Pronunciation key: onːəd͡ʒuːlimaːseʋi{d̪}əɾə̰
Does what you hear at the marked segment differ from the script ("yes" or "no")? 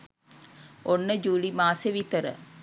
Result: yes